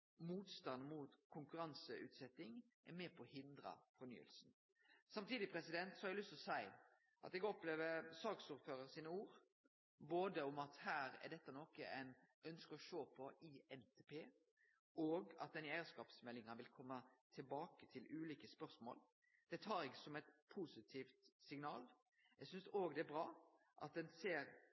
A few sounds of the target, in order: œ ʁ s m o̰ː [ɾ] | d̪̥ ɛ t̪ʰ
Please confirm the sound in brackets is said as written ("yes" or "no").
no